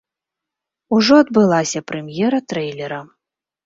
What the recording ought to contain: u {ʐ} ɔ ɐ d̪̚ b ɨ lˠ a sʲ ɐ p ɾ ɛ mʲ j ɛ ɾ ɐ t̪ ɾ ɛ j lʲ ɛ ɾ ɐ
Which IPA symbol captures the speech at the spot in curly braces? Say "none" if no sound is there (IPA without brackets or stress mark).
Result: ʐ